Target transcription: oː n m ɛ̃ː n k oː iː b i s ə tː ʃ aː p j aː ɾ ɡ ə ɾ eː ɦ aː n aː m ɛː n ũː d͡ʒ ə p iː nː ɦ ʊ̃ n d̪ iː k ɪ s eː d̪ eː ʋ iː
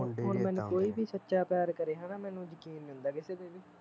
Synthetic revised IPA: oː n m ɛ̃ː n k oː iː b iː s ə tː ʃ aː p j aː ɾ k ə ɾ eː ɦ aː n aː m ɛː n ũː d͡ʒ ə k iː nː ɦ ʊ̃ n d̪ aː k ɪ s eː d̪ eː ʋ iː